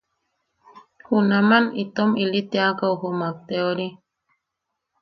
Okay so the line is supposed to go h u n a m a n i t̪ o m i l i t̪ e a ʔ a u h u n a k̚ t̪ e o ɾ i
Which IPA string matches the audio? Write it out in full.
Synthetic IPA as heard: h u n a m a n i t̪ o m i l i t̪ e a k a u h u m a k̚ t̪ e o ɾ i

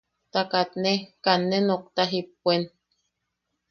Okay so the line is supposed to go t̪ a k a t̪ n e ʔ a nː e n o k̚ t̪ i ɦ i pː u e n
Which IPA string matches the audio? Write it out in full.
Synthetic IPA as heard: t̪ a k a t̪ n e k a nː e n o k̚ t̪ a ɦ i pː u e n

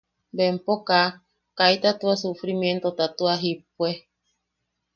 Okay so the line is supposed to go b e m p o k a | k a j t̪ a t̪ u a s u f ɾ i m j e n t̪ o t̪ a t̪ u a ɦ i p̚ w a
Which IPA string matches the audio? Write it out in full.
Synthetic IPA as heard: b e m p o k a | k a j t̪ a t̪ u a s u f ɾ i m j e n t̪ o t̪ a t̪ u a ɦ i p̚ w e

